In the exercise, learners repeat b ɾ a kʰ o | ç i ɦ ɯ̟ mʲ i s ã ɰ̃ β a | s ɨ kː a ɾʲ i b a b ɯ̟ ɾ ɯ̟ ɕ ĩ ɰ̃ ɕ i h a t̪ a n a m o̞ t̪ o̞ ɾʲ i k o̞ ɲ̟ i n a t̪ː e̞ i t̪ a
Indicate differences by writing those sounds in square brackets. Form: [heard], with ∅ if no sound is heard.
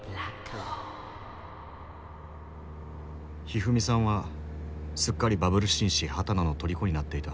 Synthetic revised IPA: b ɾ a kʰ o | ç i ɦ ɯ̟ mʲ i s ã ɰ̃ β a | s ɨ kː a ɾʲ i b a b ɯ̟ ɾ ɯ̟ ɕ ĩ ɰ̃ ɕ i h a t̪ a n a [n] o̞ t̪ o̞ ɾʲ i k o̞ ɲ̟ i n a t̪ː e̞ i t̪ a